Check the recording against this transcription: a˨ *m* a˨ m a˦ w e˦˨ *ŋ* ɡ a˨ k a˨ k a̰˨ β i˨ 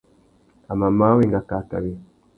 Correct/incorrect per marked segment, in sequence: correct, correct

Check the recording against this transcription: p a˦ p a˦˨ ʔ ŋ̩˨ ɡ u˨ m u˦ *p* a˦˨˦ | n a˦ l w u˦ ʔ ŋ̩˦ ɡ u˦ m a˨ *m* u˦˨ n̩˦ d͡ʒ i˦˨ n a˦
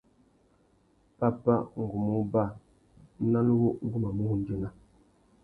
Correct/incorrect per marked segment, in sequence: incorrect: b, correct

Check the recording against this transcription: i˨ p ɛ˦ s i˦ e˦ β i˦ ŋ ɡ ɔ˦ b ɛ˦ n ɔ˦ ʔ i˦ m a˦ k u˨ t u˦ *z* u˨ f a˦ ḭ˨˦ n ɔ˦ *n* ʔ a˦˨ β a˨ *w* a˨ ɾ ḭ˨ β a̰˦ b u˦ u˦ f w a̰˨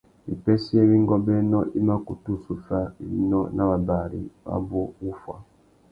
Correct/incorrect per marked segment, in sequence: incorrect: s, correct, incorrect: b

